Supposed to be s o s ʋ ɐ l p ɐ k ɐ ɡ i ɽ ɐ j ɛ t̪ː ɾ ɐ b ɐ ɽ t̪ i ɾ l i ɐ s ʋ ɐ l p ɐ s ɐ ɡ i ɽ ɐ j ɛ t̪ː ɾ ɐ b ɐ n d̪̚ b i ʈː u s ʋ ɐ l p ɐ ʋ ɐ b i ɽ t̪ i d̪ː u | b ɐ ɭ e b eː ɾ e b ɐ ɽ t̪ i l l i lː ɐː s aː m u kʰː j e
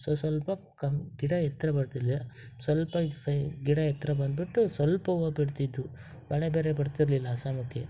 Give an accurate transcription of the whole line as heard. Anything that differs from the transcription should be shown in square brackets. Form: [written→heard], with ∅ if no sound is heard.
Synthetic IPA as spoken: s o s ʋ ɐ l p ɐ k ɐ ɡ i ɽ ɐ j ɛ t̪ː ɾ ɐ b ɐ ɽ t̪ i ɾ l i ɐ s ʋ ɐ l p ɐ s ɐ ɡ i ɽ ɐ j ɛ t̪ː ɾ ɐ b ɐ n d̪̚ b i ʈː u s ʋ ɐ l p ɐ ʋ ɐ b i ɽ t̪ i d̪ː u | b ɐ ɭ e b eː ɾ e b ɐ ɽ t̪ i [l→ɾ] l i lː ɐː s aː m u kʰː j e